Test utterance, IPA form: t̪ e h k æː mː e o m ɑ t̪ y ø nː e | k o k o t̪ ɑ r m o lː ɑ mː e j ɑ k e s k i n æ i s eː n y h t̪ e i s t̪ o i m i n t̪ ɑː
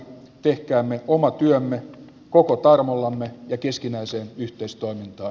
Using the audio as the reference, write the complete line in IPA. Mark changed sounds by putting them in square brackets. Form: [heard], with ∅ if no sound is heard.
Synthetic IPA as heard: t̪ e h k æː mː e o m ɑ t̪ y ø [mː] e | k o k o t̪ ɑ r m o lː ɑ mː e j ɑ k e s k i n æ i s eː n y h t̪ e i s t̪ o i m i n t̪ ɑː